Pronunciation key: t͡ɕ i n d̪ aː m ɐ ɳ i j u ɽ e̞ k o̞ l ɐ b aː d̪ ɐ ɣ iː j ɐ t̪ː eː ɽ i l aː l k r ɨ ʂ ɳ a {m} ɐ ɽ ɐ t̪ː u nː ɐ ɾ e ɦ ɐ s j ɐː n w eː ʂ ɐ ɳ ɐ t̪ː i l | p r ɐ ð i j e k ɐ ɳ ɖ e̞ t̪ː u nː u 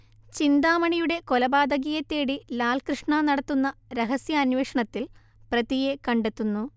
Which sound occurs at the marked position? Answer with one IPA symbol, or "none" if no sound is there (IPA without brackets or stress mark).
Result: n